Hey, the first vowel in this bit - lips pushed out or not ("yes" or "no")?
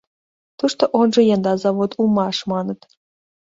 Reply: yes